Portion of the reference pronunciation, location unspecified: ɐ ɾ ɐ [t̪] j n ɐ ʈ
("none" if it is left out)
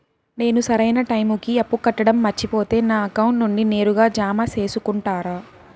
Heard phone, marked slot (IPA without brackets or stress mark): none